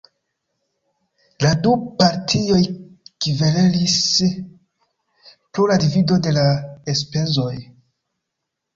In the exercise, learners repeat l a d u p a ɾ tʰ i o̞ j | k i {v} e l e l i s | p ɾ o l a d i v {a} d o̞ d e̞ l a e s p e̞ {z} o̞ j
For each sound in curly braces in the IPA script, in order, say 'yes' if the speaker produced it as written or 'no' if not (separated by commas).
yes, no, yes